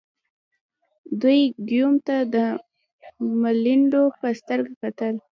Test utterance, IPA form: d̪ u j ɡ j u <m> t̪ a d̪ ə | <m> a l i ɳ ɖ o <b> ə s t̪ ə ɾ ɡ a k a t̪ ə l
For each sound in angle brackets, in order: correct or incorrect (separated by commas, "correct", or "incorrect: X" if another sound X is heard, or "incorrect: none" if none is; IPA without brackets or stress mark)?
correct, correct, incorrect: p